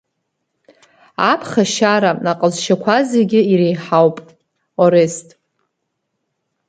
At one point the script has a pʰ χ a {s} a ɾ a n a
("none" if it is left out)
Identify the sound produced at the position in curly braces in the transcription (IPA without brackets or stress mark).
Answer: ʃ